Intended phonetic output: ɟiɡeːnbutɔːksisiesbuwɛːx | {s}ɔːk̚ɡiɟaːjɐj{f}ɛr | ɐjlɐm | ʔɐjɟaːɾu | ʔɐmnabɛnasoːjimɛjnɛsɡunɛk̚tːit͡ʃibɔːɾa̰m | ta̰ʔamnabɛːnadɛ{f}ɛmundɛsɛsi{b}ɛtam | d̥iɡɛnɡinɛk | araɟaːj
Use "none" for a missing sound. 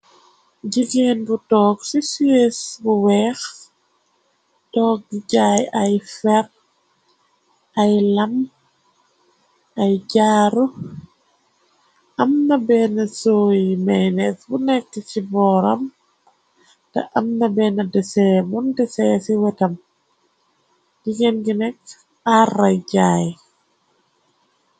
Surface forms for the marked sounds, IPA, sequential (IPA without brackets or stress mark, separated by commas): t, f, s, w